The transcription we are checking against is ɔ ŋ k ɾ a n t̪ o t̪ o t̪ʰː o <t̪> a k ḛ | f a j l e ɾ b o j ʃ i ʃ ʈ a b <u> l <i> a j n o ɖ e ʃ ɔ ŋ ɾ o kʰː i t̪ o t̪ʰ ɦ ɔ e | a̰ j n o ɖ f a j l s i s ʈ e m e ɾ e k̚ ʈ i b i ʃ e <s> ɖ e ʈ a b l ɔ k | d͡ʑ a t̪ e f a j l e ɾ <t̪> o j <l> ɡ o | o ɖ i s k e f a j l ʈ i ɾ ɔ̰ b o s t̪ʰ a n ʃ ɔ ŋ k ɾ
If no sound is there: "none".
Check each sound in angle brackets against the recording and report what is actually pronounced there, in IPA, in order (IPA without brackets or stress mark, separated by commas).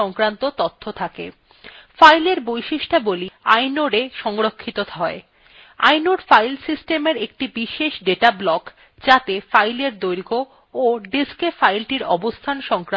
t̪ʰ, o, i, ʃ, d̪, ɾ